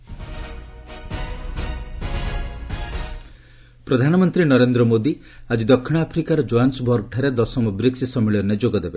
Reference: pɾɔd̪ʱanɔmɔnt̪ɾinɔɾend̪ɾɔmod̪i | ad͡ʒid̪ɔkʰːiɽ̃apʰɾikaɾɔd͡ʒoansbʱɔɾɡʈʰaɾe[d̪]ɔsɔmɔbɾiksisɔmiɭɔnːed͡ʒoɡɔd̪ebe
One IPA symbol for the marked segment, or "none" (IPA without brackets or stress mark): d̪